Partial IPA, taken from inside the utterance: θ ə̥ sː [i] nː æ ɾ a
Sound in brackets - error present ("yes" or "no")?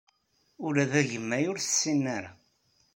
no